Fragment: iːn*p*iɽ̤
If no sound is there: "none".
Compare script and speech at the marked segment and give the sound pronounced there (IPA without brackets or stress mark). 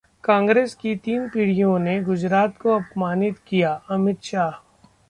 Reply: p